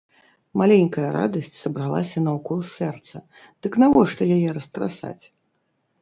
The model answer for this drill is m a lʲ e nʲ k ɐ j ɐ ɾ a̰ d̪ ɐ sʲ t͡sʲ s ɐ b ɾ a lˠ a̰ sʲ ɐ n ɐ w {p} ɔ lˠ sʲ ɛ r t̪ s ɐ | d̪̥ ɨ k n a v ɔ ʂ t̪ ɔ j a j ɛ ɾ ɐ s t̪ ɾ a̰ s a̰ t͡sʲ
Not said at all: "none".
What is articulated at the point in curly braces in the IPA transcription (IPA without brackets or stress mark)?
k